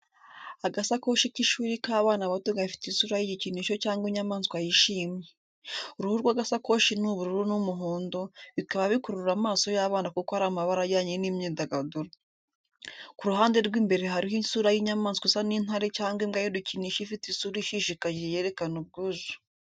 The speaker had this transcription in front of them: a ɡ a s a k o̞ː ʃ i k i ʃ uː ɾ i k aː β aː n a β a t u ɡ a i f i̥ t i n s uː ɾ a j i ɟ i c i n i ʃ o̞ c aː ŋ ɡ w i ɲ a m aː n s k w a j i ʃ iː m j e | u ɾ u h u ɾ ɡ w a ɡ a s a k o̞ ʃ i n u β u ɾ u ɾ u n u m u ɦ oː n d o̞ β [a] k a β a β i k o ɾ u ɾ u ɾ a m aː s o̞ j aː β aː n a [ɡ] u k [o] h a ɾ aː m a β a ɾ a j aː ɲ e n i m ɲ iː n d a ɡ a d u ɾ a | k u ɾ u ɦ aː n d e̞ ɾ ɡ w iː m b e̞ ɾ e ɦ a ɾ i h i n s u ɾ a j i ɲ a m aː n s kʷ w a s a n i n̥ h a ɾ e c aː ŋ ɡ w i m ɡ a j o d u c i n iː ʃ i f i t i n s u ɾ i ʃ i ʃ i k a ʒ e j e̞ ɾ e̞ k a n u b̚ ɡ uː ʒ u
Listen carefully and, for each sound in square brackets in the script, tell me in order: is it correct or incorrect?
incorrect: i, incorrect: k, correct

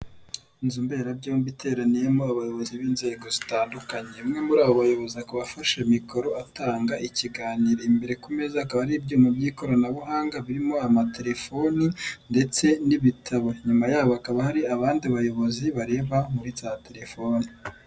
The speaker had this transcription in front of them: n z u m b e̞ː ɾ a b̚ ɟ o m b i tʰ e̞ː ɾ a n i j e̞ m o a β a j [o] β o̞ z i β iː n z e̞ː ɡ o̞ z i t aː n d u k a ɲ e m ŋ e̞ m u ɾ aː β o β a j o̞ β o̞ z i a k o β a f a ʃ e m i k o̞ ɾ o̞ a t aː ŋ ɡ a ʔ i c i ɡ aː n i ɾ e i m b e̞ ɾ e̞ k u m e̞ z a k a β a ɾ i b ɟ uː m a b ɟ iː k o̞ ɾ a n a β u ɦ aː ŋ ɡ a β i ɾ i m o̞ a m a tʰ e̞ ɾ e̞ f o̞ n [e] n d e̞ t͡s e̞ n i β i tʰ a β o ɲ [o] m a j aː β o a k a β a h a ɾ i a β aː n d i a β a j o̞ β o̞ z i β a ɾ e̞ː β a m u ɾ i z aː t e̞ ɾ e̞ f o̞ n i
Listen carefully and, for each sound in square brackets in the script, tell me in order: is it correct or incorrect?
correct, incorrect: i, incorrect: u

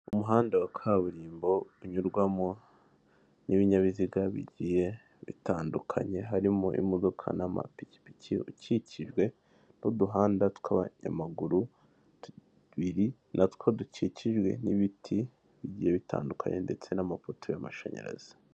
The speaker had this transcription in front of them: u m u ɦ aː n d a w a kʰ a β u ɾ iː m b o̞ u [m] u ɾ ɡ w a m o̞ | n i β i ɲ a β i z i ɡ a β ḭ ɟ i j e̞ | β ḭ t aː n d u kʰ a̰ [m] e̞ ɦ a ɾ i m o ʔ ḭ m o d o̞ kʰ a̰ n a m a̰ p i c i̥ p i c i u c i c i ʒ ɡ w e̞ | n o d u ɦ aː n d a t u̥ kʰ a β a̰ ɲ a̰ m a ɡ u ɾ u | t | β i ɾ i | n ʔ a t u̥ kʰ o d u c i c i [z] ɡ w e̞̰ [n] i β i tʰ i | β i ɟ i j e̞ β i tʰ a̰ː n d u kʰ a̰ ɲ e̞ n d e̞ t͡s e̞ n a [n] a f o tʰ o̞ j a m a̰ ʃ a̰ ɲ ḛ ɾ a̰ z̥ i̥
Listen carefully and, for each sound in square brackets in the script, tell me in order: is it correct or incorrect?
incorrect: ɲ, incorrect: ɲ, incorrect: ʒ, correct, incorrect: m

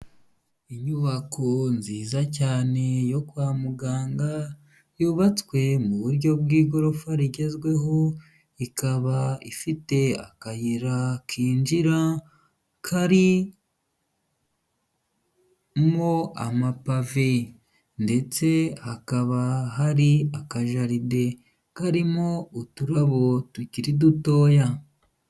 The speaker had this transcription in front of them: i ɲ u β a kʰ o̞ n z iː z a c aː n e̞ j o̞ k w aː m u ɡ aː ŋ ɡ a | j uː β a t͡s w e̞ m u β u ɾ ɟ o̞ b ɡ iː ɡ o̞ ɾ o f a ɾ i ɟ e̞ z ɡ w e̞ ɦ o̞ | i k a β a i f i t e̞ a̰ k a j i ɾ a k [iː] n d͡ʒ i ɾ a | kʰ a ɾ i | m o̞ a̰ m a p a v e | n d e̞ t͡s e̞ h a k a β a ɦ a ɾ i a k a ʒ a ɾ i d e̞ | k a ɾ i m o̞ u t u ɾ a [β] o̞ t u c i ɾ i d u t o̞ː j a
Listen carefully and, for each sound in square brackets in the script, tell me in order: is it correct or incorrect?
correct, correct

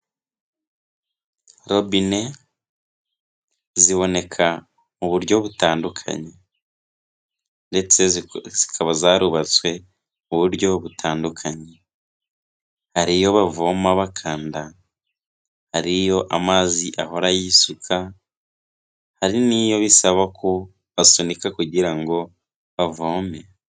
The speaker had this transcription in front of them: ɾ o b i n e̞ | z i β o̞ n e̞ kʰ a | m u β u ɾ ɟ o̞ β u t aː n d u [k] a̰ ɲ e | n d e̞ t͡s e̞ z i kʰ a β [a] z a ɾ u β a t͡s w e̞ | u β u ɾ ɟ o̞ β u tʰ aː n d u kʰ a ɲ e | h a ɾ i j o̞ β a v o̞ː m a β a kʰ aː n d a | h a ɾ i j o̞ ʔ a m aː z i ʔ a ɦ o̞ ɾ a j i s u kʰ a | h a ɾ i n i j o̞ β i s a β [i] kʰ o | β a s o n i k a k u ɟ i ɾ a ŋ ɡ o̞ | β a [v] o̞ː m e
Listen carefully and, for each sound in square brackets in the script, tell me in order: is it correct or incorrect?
incorrect: kʰ, correct, incorrect: a, correct

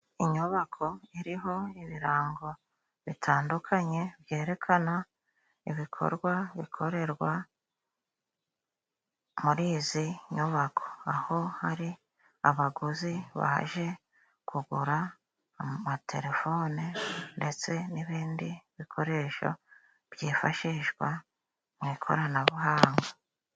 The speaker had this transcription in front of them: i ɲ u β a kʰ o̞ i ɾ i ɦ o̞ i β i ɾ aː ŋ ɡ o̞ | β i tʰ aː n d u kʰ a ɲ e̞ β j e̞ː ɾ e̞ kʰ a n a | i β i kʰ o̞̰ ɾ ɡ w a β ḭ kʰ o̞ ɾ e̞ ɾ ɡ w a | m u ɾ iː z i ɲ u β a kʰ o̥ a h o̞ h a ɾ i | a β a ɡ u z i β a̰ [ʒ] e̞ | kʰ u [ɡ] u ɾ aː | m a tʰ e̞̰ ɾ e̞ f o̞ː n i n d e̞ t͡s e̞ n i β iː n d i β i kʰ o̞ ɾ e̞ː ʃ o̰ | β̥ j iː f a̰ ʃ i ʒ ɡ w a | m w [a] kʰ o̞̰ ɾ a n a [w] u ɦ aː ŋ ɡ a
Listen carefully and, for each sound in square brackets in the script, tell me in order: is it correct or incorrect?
correct, correct, incorrect: i, incorrect: β

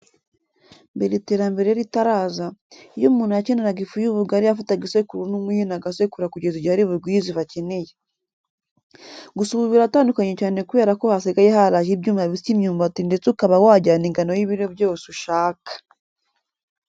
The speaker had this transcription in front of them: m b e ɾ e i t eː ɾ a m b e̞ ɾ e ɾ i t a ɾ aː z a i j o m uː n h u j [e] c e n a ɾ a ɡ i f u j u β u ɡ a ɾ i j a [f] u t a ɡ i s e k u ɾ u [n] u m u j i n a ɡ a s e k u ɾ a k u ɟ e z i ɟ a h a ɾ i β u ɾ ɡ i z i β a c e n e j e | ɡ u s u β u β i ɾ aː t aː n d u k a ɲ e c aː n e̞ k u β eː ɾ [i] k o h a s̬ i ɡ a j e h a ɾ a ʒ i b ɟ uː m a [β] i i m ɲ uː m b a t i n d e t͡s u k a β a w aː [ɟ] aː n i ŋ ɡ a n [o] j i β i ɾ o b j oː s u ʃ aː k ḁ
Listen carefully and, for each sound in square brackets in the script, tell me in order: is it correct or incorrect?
incorrect: a, correct, correct, incorrect: a, correct, correct, correct

